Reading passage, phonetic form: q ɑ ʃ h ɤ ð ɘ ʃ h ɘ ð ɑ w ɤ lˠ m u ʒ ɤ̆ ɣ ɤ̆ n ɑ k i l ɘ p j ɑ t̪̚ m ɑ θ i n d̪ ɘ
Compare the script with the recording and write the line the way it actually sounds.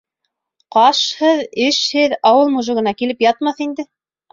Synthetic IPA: q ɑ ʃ h ɤ ð ɘ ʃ h ɘ ð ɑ w ɤ lˠ m u ʒ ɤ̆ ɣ ɤ̆ n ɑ k i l ɘ p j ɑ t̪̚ m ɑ θ i n d̪ ɘ